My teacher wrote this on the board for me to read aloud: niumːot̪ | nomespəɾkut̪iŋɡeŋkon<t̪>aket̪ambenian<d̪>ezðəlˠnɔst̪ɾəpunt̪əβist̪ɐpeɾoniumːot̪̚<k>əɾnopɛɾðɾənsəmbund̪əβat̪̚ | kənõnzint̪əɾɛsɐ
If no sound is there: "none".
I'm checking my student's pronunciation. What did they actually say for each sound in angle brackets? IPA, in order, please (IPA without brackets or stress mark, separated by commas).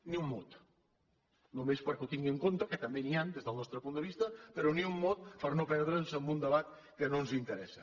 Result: t̪, d̪, p